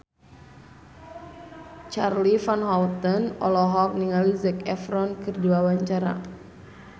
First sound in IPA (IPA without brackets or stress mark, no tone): t͡ʃ